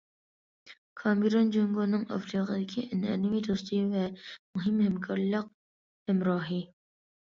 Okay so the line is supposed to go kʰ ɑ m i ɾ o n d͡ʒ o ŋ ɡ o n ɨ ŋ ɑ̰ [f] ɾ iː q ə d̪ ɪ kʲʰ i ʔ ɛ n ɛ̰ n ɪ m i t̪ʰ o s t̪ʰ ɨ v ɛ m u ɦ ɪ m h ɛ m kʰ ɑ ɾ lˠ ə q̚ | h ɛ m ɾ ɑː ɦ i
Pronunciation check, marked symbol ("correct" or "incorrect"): correct